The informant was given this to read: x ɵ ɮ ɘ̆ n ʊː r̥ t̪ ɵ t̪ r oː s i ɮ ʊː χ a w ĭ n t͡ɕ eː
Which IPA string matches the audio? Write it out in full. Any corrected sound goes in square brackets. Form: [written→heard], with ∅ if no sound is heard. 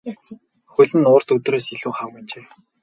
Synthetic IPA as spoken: x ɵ ɮ ɘ̆ n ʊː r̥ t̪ ɵ t̪ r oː s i ɮ [ʊː→uː] χ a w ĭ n t͡ɕ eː